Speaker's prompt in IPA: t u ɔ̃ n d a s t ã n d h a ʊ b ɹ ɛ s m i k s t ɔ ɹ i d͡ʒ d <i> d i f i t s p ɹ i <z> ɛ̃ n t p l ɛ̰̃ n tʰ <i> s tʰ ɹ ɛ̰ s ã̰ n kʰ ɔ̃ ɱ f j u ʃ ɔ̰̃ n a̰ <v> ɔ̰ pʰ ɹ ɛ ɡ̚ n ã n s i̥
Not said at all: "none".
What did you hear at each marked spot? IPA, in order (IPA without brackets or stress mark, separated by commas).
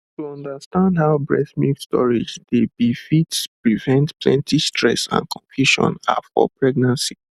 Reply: e, v, i, f